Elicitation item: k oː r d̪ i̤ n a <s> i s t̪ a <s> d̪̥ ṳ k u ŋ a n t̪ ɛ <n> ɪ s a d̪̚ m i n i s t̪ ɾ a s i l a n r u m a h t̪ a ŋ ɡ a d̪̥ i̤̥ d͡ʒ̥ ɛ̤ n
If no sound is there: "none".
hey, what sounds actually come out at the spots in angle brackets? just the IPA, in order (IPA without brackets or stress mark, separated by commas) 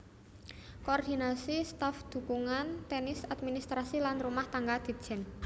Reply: s, f, n